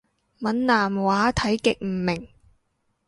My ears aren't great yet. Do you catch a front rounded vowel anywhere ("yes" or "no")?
no